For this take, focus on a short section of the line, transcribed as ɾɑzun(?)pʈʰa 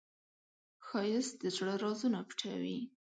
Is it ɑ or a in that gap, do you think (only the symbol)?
a